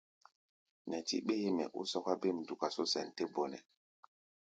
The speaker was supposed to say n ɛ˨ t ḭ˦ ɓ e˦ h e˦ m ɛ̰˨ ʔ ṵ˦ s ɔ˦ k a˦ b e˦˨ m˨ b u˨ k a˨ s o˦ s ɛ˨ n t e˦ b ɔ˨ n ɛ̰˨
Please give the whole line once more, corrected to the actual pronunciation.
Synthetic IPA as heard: n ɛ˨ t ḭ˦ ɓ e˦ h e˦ m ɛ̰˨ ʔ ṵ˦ s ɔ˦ k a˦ b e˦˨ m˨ d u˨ k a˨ s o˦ s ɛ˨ n t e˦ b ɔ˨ n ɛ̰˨